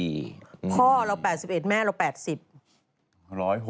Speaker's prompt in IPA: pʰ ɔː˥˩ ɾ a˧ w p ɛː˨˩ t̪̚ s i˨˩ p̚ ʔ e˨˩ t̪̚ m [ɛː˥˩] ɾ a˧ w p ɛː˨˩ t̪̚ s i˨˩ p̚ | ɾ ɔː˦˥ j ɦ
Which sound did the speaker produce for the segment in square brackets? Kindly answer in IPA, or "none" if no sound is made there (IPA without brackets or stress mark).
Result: ɛː˥˩